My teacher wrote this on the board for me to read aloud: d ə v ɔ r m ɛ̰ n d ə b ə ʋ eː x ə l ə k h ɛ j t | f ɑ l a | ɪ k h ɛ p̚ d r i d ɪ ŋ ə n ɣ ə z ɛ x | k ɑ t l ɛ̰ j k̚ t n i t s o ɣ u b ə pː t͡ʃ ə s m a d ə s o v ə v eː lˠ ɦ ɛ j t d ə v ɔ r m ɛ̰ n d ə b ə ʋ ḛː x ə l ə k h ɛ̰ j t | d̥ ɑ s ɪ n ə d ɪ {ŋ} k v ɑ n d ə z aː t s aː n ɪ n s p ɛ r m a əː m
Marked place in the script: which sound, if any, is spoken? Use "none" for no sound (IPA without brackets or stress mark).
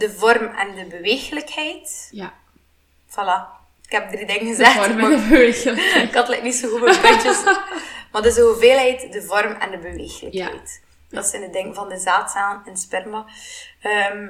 ŋ